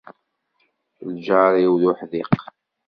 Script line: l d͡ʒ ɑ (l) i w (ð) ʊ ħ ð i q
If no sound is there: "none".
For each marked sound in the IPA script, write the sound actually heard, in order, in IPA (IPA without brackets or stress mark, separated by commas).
ɾ, ð